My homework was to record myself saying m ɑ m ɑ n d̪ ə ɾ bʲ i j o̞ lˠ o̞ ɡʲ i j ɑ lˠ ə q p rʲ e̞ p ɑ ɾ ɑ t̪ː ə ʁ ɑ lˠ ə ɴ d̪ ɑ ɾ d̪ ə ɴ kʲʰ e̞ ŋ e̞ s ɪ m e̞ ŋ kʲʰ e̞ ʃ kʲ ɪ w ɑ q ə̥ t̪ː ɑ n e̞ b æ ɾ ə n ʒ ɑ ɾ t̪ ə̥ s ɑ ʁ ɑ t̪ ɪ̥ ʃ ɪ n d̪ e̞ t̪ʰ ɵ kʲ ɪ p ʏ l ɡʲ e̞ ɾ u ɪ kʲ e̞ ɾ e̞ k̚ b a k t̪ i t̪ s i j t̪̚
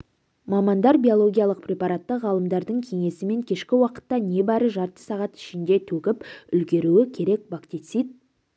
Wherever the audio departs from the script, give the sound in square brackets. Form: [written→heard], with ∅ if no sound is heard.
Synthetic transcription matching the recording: m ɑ m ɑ n d̪ [ə→ɑ] ɾ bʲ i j o̞ lˠ o̞ ɡʲ i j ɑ lˠ ə q p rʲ e̞ p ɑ ɾ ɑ t̪ː ə ʁ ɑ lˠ ə [ɴ→m] d̪ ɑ ɾ d̪ ə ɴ kʲʰ e̞ ŋ e̞ s ɪ m e̞ ŋ kʲʰ e̞ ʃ kʲ ɪ w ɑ q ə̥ t̪ː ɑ n e̞ b æ ɾ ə [n→∅] ʒ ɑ ɾ t̪ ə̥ s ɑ ʁ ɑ t̪ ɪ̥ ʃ ɪ n d̪ e̞ t̪ʰ ɵ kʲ ɪ p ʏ l ɡʲ e̞ ɾ u ɪ [kʲ→kʲʰ] e̞ ɾ e̞ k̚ b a k t̪ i t̪ s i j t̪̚